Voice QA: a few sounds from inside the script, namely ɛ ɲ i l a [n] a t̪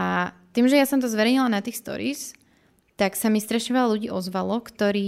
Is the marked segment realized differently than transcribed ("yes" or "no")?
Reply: no